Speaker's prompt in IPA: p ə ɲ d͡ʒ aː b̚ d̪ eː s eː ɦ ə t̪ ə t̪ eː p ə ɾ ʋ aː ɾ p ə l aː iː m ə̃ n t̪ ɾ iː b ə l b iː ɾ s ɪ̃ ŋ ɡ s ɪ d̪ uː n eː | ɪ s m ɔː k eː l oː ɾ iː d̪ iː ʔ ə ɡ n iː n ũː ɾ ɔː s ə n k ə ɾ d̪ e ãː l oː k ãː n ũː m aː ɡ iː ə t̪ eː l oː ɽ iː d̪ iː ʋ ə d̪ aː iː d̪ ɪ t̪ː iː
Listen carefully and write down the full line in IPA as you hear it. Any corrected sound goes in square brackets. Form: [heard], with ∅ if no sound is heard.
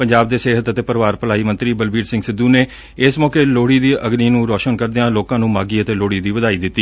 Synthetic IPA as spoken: p ə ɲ d͡ʒ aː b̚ d̪ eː s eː ɦ ə t̪ ə t̪ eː p ə ɾ ʋ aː ɾ p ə l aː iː m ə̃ n t̪ ɾ iː b ə l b iː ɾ s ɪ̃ ŋ ɡ s ɪ d̪ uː n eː | ɪ s m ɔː k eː l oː [ɽ] iː d̪ iː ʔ ə ɡ n iː n ũː ɾ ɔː [ʃ] ə n k ə ɾ d̪ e ãː l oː k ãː n ũː m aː ɡ iː ə t̪ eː l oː ɽ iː d̪ iː ʋ ə d̪ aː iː d̪ ɪ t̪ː iː

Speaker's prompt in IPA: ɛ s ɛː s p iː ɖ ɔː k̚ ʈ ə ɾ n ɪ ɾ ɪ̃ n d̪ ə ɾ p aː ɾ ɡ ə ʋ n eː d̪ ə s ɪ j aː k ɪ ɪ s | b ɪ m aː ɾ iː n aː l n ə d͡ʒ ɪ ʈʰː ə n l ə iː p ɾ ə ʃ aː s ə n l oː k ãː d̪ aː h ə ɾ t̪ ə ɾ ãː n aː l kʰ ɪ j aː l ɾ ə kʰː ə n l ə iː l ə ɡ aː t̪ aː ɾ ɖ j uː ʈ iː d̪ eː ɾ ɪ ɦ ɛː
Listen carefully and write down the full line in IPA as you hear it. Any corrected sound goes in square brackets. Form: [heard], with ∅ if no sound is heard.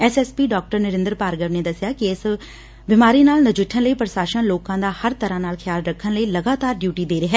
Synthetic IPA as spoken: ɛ s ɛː s p iː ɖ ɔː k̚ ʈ ə ɾ n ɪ ɾ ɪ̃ n d̪ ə ɾ p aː ɾ ɡ ə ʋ n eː d̪ ə s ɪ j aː k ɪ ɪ s | b ɪ m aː ɾ iː n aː l n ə d͡ʒ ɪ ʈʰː ə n l ə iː p ɾ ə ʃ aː [ʃ] ə n l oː k ãː d̪ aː h ə ɾ t̪ ə ɾ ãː n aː l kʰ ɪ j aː l ɾ ə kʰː ə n l ə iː l ə ɡ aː t̪ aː ɾ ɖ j uː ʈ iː d̪ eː ɾ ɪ ɦ ɛː

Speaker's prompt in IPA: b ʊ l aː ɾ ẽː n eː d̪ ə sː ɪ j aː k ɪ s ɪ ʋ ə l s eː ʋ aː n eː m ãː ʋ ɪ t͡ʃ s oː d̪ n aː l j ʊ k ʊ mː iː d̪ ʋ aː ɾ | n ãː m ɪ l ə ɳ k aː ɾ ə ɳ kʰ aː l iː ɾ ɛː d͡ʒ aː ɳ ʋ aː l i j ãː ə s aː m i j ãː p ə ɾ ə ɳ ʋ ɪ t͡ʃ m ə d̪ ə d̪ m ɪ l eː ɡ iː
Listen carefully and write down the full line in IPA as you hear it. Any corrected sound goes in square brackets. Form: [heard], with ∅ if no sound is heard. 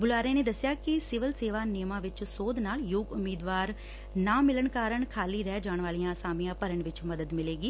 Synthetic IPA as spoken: b ʊ l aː ɾ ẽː n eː d̪ ə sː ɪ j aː k ɪ s ɪ ʋ ə l s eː ʋ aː n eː m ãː ʋ ɪ t͡ʃ s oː d̪ n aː l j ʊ [ɡ] ʊ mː iː d̪ ʋ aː ɾ | n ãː m ɪ l ə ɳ k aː ɾ ə ɳ kʰ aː l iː ɾ ɛː d͡ʒ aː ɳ ʋ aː l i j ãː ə s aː m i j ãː p ə ɾ ə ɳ ʋ ɪ t͡ʃ m ə d̪ ə d̪ m ɪ l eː ɡ iː

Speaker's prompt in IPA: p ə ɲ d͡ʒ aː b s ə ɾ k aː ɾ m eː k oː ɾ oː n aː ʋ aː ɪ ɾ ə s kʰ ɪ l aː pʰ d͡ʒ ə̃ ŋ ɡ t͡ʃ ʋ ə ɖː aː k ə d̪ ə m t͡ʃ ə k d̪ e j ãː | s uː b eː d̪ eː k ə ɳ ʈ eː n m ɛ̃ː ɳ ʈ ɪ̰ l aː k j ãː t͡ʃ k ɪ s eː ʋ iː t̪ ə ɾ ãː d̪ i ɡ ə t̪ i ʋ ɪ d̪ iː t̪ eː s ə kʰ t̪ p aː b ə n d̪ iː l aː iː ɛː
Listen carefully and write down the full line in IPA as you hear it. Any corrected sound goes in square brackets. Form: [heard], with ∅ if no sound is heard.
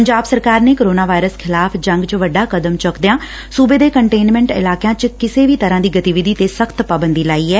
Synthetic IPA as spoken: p ə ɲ d͡ʒ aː b s ə ɾ k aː ɾ [n] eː k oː ɾ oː n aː ʋ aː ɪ ɾ ə s kʰ ɪ l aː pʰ d͡ʒ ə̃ ŋ ɡ t͡ʃ ʋ ə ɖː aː k ə d̪ ə m t͡ʃ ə k d̪ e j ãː | s uː b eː d̪ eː k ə ɳ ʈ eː n m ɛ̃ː ɳ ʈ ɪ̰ l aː k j ãː t͡ʃ k ɪ s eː ʋ iː t̪ ə ɾ ãː d̪ [iː] ɡ ə t̪ i ʋ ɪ d̪ iː t̪ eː s ə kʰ t̪ p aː b ə n d̪ iː l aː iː ɛː

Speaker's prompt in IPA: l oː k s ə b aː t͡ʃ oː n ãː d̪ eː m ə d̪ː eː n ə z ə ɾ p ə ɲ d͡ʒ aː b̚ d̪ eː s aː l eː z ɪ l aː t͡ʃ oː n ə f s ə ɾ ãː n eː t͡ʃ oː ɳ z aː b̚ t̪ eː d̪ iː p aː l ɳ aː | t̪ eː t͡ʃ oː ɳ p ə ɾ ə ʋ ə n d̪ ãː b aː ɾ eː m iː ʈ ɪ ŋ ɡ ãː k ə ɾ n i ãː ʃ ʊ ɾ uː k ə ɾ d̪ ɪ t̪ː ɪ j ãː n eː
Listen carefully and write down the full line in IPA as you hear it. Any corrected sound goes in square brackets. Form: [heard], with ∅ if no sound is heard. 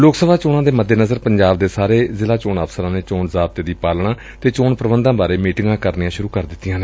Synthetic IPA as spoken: l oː k s ə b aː t͡ʃ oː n ãː d̪ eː m ə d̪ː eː n ə z ə ɾ p ə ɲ d͡ʒ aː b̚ d̪ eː s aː [ɾ] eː z ɪ l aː t͡ʃ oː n ə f s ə ɾ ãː n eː t͡ʃ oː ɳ z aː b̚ t̪ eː d̪ iː p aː l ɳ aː | t̪ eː t͡ʃ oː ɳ p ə ɾ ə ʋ ə n d̪ ãː b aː ɾ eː m iː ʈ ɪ ŋ ɡ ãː k ə ɾ n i ãː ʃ ʊ ɾ uː k ə ɾ d̪ ɪ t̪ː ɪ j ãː n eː

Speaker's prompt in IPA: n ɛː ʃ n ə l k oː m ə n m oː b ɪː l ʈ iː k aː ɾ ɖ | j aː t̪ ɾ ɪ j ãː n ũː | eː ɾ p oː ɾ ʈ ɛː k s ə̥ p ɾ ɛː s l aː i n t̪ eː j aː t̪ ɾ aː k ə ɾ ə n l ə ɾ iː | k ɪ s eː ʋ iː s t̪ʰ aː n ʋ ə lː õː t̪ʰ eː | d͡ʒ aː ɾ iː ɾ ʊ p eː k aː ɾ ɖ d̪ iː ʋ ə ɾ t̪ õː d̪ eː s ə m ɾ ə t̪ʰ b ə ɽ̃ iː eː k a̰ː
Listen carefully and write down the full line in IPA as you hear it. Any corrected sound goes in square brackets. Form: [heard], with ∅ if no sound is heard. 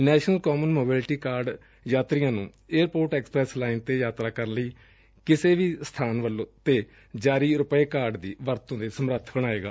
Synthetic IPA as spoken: n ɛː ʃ n ə l k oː m ə n m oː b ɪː l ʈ iː k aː ɾ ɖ | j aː t̪ ɾ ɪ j ãː n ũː | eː ɾ p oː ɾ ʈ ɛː k s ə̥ p ɾ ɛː s l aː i n t̪ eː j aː t̪ ɾ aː k ə ɾ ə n l ə [∅] iː | k ɪ s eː ʋ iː s t̪ʰ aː n ʋ ə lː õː [t̪] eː | d͡ʒ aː ɾ iː ɾ ʊ p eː k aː ɾ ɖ d̪ iː ʋ ə ɾ t̪ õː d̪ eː s ə m ɾ ə t̪ʰ b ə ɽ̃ [aː] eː [ɡ] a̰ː

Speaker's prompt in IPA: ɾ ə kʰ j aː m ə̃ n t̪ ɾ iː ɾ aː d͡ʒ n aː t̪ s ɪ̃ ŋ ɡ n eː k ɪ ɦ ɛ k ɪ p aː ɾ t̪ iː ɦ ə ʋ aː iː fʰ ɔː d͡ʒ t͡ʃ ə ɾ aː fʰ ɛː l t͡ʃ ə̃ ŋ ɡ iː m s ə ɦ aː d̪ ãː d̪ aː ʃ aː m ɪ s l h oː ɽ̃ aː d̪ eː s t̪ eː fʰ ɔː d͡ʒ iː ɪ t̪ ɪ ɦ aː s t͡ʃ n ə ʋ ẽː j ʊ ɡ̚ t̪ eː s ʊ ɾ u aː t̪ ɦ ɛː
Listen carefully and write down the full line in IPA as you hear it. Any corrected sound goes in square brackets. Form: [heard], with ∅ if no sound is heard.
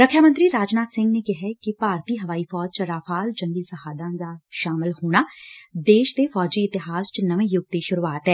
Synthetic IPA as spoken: ɾ ə kʰ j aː m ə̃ n t̪ ɾ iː ɾ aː d͡ʒ n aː t̪ s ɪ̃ ŋ ɡ n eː k ɪ ɦ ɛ k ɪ p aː ɾ t̪ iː ɦ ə ʋ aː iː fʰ ɔː d͡ʒ t͡ʃ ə ɾ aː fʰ [aː] l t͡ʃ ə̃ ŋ ɡ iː [∅] s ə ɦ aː d̪ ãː d̪ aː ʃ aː m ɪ [∅] l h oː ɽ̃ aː d̪ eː [ʃ] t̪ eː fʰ ɔː d͡ʒ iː ɪ t̪ ɪ ɦ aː s t͡ʃ n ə ʋ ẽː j ʊ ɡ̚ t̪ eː [ʃ] ʊ ɾ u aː t̪ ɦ ɛː

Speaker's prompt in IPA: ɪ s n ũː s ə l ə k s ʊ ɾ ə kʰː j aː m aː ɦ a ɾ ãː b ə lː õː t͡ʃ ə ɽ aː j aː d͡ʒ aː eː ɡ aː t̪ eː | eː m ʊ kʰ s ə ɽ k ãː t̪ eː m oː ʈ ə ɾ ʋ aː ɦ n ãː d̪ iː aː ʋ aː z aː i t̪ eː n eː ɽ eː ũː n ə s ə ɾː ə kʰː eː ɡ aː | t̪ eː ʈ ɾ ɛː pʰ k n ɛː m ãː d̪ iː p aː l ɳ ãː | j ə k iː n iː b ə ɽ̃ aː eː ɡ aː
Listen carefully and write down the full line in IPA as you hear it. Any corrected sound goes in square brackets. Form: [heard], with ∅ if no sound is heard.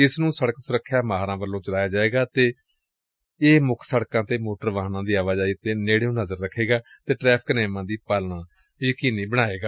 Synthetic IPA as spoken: ɪ s n ũː s ə [ɽ] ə k s ʊ ɾ ə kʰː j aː m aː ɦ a ɾ ãː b ə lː õː t͡ʃ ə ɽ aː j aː d͡ʒ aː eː ɡ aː t̪ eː | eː m ʊ kʰ s ə ɽ k ãː t̪ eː m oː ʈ ə ɾ ʋ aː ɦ n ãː d̪ iː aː ʋ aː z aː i t̪ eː n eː ɽ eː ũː n ə [z] ə ɾː ə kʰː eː ɡ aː | t̪ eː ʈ ɾ ɛː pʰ k n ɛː m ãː d̪ iː p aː l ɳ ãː | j ə k iː n iː b ə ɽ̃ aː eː ɡ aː

